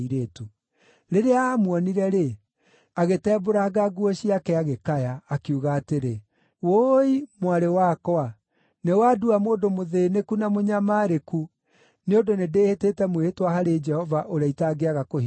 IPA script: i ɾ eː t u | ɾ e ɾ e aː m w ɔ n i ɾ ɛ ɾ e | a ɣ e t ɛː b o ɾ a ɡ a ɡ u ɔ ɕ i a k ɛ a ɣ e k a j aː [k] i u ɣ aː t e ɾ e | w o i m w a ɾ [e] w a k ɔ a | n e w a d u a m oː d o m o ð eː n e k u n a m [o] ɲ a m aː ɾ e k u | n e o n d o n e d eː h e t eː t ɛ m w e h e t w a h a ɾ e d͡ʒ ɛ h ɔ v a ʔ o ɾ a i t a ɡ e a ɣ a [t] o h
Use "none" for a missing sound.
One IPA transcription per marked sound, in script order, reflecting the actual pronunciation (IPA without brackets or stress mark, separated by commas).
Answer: k, e, o, k